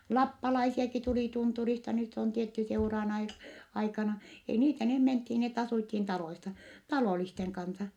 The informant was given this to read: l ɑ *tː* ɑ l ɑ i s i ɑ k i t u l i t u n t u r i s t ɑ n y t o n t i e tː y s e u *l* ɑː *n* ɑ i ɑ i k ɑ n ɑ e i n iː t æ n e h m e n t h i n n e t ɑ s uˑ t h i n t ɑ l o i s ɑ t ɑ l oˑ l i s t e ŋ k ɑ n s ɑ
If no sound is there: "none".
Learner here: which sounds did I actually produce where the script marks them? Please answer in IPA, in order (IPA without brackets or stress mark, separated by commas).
pː, r, n